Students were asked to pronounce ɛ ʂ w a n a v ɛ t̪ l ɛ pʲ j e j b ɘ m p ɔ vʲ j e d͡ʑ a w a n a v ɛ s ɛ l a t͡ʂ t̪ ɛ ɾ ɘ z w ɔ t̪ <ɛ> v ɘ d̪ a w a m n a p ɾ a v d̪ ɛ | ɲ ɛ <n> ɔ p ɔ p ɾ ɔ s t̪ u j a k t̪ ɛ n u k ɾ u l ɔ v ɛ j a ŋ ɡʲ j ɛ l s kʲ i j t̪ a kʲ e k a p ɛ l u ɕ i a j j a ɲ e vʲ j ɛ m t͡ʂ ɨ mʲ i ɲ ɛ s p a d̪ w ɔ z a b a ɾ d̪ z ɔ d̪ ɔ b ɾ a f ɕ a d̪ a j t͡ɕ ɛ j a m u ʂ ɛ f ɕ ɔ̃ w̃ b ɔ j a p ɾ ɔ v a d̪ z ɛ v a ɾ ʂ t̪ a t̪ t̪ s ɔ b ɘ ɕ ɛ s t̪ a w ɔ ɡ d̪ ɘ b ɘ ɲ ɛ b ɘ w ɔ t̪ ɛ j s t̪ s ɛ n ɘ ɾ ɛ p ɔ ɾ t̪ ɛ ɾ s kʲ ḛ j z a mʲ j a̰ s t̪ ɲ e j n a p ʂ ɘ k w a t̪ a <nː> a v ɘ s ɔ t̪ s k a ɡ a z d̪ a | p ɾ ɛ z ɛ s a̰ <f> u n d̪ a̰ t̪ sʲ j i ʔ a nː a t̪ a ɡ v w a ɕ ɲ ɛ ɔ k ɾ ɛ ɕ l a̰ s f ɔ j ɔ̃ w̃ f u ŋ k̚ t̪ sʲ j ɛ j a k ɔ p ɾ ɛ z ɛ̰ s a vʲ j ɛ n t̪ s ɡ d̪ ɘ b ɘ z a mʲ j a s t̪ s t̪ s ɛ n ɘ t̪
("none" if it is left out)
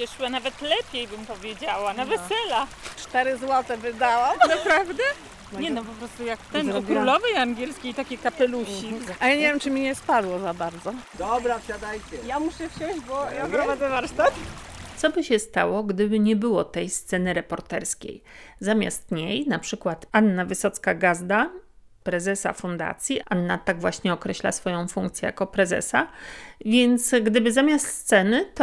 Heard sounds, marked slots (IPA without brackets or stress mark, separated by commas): ɛ, n, nː, f